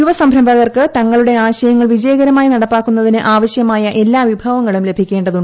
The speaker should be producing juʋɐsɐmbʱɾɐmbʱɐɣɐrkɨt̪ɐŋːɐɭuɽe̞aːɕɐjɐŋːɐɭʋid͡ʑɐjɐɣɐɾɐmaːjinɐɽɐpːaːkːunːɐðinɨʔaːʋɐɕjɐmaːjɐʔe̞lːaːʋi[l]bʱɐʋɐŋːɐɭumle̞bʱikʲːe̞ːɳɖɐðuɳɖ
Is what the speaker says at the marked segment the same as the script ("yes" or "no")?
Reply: no